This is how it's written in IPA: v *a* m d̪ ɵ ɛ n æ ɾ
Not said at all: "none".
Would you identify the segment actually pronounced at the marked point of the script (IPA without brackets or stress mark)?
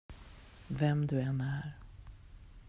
ɛ